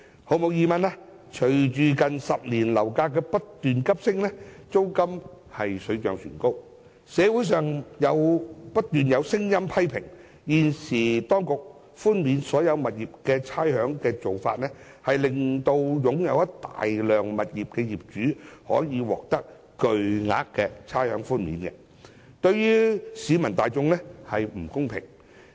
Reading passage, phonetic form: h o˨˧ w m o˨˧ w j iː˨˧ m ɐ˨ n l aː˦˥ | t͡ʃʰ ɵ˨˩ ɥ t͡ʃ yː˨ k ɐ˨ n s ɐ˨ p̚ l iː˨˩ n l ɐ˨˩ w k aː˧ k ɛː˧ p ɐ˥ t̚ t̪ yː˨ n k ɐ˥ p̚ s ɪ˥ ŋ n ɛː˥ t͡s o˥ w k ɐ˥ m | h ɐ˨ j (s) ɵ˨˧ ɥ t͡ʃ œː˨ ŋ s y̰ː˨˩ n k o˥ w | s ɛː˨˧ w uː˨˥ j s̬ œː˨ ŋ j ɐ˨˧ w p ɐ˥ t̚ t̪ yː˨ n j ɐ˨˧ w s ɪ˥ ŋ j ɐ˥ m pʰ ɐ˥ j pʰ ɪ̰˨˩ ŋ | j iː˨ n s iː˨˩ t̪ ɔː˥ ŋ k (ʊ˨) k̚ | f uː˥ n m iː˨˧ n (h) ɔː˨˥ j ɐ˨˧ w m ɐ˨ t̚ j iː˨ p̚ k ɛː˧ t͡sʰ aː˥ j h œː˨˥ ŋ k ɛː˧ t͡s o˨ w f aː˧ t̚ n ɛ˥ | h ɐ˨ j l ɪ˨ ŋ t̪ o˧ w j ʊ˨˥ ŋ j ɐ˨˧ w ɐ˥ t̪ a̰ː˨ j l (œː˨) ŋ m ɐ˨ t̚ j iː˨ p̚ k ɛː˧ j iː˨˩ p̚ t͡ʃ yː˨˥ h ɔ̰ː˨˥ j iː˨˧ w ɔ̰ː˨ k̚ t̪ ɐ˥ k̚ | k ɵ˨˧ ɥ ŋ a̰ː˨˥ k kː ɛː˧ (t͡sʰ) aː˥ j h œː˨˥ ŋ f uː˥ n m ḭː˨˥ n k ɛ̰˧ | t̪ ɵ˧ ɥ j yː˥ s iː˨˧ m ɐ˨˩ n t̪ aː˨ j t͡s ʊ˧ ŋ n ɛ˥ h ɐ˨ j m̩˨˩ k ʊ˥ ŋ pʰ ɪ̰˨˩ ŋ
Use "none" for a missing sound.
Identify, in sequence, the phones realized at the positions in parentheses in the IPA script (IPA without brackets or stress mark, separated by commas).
s, ʊ˨, s, œː˨, t͡sʰ